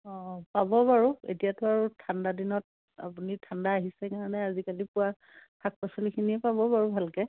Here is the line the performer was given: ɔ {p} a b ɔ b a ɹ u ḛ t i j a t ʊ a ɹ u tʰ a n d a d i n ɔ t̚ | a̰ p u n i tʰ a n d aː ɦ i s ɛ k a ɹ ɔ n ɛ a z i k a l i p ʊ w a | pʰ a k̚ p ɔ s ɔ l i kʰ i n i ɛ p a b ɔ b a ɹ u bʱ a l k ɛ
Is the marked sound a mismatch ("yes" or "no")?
no